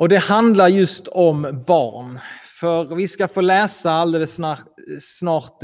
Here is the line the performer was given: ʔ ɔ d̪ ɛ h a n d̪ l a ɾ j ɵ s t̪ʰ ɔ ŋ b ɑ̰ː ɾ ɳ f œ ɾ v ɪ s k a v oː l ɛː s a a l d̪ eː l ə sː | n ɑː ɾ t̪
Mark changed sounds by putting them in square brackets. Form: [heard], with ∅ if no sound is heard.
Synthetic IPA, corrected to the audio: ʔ ɔ d̪ ɛ h a n d̪ l a ɾ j ɵ s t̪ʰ ɔ [m] b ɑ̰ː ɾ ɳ f œ ɾ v ɪ s k a [f] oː l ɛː s a a l d̪ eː l ə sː | n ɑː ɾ t̪